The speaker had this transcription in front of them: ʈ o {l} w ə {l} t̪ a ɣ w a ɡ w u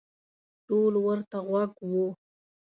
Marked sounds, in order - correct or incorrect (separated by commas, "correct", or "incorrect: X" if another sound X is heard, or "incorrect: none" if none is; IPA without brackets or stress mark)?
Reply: correct, incorrect: ɾ